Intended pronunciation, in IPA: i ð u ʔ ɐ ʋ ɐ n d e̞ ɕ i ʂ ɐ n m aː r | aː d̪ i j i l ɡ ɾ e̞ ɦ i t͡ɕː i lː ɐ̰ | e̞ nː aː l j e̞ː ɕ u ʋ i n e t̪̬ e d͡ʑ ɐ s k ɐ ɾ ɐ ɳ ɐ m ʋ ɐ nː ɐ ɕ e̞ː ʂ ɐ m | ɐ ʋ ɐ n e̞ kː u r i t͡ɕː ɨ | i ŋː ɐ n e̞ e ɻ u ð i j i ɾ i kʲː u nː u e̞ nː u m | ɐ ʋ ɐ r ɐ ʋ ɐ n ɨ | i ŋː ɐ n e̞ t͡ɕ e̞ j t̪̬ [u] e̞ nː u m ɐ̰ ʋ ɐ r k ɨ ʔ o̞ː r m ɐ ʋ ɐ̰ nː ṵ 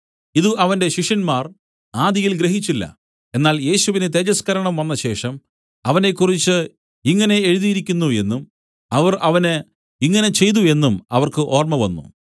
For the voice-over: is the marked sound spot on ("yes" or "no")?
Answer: yes